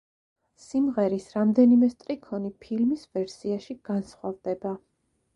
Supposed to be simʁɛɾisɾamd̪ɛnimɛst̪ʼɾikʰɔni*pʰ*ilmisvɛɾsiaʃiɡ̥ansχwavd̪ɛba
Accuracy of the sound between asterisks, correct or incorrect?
correct